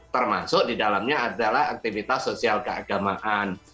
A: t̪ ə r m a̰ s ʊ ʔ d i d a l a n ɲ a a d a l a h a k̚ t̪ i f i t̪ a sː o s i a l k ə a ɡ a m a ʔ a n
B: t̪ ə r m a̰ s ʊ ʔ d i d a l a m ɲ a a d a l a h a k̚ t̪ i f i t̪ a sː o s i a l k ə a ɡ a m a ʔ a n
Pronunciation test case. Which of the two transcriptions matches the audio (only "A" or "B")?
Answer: B